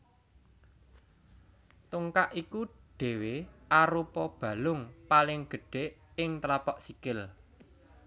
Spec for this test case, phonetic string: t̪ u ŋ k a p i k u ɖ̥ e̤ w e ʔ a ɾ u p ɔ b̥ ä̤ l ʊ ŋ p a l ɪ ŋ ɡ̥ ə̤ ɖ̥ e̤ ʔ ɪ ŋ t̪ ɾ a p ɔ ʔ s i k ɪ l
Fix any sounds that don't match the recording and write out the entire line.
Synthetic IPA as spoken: t̪ u ŋ k a ʔ i k u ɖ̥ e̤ w e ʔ a ɾ u p ɔ b̥ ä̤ l ʊ ŋ p a l ɪ ŋ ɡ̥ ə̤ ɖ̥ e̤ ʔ ɪ ŋ t̪ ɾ a p ɔ ʔ s i k ɪ l